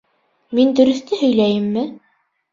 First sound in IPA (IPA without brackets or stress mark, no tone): m